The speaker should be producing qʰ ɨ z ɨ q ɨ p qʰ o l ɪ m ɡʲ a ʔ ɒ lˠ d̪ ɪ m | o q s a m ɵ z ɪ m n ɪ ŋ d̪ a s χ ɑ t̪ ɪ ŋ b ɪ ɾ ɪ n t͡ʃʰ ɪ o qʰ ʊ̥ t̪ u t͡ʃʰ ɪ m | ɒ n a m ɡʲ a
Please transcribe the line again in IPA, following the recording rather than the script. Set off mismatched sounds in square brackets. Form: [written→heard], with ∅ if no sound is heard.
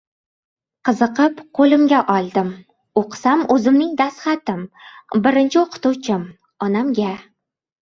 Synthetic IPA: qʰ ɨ z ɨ q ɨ p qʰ o l ɪ m ɡʲ a ʔ ɒ lˠ d̪ ɪ m | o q s a m ɵ z ɪ m n ɪ ŋ d̪ a s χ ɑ t̪ ɪ [ŋ→m] b ɪ ɾ ɪ n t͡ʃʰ ɪ o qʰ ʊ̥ t̪ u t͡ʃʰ ɪ m | ɒ n a m ɡʲ a